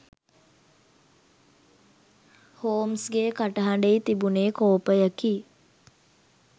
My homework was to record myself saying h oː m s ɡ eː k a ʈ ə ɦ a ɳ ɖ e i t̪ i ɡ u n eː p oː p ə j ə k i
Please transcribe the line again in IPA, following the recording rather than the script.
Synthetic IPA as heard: h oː m s ɡ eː k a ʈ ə ɦ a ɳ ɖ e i t̪ i b u n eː k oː p ə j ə k i